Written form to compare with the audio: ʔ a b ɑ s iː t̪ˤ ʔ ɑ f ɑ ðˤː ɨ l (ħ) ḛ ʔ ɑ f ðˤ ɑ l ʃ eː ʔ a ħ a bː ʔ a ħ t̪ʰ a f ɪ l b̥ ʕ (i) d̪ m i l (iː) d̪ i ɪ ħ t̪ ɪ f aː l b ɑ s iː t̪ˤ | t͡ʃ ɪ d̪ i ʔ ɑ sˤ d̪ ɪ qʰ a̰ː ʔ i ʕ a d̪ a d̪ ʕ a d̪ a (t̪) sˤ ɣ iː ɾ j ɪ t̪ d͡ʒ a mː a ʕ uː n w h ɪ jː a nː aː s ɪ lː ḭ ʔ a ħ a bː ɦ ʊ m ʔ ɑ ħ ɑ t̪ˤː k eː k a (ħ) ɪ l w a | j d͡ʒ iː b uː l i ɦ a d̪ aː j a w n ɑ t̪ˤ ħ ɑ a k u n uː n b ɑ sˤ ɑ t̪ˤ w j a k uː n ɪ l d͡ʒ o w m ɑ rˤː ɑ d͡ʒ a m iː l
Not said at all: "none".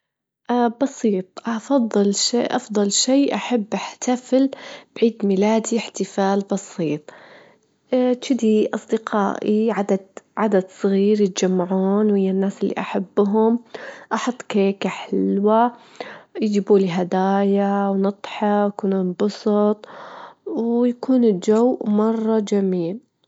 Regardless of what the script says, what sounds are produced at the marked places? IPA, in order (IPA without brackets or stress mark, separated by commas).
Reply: ʃ, iː, aː, d̪, ħ